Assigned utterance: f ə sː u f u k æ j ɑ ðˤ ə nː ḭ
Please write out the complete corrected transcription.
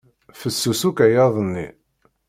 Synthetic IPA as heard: f ə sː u s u k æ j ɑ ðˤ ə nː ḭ